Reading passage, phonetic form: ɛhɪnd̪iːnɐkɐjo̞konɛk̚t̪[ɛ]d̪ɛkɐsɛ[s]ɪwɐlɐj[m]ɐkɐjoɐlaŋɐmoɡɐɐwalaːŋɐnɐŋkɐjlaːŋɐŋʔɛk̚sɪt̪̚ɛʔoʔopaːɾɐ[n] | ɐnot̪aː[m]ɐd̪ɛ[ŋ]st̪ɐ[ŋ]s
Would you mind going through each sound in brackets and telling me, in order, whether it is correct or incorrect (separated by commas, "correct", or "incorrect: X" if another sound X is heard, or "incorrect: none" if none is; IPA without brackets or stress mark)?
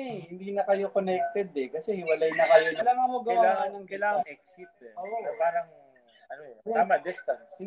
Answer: correct, incorrect: h, incorrect: n, incorrect: ŋ, correct, incorrect: none, incorrect: n